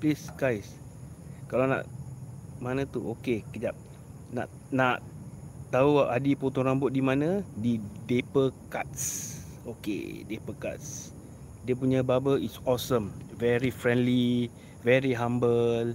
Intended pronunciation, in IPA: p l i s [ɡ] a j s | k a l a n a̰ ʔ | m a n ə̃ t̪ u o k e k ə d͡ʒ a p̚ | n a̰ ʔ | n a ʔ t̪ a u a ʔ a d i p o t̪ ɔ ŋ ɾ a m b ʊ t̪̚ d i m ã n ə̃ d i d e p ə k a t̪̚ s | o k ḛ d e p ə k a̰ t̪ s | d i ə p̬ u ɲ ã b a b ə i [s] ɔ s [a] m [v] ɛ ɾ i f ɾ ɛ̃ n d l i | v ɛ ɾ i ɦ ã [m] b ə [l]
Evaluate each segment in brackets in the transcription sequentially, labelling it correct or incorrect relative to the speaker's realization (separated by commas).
correct, correct, incorrect, correct, correct, correct